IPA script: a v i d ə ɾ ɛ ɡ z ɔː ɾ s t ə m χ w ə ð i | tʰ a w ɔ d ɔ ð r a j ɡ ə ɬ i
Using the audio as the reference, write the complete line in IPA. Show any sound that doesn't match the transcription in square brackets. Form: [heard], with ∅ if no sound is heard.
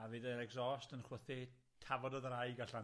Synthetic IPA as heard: a v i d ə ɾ ɛ ɡ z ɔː [∅] s t ə [n] χ w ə [θ] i | tʰ a [v] ɔ d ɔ ð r a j ɡ [a] ɬ [a]